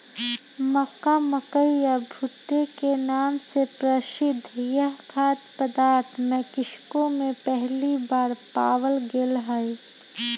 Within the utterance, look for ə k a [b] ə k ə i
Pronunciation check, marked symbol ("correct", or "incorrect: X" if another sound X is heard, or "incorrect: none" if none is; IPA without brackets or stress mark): incorrect: m